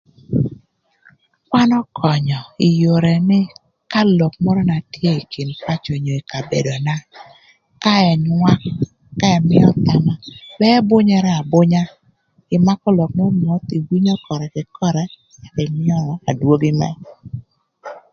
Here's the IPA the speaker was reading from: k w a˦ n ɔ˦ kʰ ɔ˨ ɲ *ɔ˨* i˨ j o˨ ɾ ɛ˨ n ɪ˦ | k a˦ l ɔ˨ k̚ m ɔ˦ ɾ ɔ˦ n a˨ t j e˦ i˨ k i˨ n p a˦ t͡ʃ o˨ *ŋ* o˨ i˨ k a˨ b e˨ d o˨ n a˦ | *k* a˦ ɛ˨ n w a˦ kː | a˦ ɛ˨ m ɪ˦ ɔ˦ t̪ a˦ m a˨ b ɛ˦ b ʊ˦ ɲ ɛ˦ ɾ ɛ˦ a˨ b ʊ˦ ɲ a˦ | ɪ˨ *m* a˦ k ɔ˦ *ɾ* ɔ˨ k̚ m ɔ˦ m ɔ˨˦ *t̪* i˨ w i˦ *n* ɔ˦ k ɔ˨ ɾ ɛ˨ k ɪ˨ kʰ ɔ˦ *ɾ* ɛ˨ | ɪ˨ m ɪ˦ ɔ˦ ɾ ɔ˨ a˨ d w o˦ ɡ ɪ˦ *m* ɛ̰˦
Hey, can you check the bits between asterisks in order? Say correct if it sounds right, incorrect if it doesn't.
correct, incorrect: ɲ, correct, correct, incorrect: l, correct, incorrect: ɲ, correct, correct

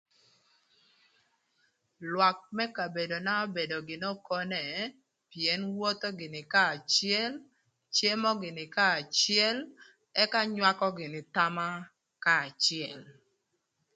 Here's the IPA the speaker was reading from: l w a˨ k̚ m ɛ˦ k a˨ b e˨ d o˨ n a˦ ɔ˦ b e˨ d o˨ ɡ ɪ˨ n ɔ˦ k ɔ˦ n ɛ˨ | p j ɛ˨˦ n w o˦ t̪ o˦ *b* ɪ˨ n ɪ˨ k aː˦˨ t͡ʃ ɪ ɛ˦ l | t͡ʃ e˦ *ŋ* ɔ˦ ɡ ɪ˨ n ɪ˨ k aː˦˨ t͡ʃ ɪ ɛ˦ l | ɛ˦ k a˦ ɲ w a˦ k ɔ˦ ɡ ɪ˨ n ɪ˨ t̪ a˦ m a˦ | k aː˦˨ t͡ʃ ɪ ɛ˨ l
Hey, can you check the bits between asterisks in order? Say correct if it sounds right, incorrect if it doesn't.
incorrect: ɡ, incorrect: m

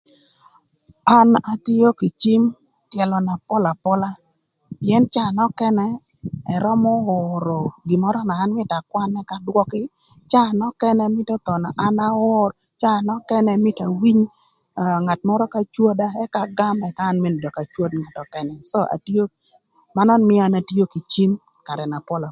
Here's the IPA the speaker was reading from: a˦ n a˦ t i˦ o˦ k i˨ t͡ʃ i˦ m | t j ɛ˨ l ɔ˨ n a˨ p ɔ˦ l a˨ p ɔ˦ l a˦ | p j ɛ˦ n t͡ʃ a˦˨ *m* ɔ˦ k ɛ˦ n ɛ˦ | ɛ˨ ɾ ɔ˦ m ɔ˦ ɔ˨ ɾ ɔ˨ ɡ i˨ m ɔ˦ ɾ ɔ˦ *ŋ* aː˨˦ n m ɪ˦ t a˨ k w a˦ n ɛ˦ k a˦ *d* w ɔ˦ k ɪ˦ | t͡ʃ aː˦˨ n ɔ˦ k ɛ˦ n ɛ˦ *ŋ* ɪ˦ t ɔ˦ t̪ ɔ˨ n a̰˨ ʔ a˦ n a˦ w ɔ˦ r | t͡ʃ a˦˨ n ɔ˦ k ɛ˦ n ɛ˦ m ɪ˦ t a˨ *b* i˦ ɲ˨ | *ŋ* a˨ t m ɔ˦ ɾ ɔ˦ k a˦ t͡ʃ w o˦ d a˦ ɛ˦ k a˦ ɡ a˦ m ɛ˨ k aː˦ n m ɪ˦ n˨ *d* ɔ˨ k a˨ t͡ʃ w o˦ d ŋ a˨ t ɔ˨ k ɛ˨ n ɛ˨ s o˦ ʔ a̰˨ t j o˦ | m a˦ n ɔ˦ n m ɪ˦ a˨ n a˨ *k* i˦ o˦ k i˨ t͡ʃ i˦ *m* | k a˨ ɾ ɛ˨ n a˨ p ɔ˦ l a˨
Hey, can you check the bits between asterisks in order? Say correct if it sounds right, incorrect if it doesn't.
incorrect: n, incorrect: n, correct, incorrect: m, incorrect: w, correct, correct, incorrect: t, correct

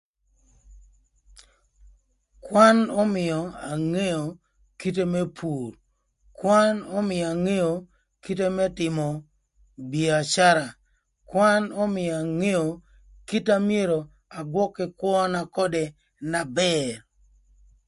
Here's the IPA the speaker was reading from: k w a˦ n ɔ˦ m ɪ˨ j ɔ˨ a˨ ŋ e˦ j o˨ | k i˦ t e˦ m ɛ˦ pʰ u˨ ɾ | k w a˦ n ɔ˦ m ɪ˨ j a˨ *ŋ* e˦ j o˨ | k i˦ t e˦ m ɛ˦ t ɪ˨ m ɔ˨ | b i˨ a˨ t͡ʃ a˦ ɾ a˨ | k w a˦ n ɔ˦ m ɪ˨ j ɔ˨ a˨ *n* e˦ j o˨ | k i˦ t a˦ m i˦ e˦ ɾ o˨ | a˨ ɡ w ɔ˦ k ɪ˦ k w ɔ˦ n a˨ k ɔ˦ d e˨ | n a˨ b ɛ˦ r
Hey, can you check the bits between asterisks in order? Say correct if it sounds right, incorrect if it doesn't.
correct, incorrect: ŋ

